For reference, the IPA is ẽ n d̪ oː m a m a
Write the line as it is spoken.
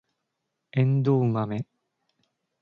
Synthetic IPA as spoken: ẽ n d̪ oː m a m e